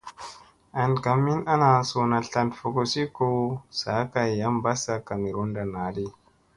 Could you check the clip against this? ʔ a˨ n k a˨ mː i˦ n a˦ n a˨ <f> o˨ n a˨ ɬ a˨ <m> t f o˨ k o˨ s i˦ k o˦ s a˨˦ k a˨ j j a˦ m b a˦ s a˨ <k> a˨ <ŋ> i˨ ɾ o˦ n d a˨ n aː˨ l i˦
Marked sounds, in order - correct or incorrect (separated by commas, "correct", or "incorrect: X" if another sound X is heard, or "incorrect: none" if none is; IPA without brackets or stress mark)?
incorrect: s, incorrect: n, correct, incorrect: m